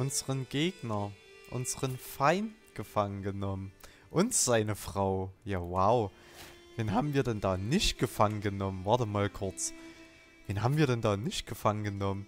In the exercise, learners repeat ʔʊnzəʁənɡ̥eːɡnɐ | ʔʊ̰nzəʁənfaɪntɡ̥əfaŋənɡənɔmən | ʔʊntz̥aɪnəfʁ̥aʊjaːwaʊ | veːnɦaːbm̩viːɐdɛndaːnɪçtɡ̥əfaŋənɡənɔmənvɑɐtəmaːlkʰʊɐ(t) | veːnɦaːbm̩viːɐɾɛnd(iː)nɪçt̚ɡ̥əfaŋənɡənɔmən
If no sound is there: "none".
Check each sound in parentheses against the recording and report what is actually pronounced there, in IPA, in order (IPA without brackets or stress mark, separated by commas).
t͡s, aː